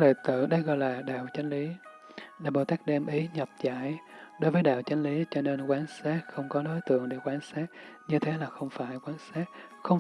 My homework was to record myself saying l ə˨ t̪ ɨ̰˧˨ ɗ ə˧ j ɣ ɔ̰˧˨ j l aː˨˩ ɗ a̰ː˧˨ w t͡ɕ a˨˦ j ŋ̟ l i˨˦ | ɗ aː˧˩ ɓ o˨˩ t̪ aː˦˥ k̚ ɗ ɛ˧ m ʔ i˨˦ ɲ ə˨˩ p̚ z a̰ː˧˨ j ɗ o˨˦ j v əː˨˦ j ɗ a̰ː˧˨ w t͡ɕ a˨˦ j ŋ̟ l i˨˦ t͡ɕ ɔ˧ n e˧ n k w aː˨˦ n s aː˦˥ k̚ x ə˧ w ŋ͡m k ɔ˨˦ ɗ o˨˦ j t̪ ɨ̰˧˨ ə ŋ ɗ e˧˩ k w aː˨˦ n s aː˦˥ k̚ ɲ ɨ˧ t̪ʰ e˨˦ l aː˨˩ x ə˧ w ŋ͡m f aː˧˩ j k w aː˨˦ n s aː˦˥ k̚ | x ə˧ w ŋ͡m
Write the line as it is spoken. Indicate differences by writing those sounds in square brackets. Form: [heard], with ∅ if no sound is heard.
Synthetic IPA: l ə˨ t̪ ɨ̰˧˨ ɗ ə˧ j ɣ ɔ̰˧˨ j l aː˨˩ ɗ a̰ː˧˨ w t͡ɕ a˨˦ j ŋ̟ l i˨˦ | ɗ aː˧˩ ɓ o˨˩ t̪ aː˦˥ k̚ ɗ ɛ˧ m ʔ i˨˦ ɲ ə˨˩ p̚ z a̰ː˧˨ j ɗ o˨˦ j v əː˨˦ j ɗ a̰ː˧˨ w t͡ɕ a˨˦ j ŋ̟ l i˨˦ t͡ɕ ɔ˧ n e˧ n k w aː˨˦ n s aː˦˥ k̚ x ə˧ w ŋ͡m k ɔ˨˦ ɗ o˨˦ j t̪ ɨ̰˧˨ ə ŋ ɗ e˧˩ k w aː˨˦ n s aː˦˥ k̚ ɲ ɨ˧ t̪ʰ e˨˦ l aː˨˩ x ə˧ w ŋ͡m f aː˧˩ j k w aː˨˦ n s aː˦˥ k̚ | x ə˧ w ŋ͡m